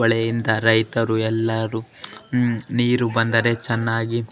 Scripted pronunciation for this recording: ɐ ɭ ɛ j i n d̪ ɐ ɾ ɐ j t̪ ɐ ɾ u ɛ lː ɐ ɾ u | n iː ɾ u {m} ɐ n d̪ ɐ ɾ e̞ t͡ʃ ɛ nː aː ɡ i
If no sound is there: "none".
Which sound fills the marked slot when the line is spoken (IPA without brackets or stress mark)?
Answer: b